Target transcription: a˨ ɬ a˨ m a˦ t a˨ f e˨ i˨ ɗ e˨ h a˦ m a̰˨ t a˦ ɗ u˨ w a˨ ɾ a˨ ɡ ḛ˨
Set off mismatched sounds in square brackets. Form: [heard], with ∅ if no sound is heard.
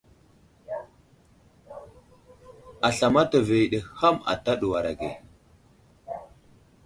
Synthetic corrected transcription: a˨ ɬ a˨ m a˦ t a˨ [v] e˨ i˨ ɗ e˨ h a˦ m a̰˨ t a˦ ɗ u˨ w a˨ ɾ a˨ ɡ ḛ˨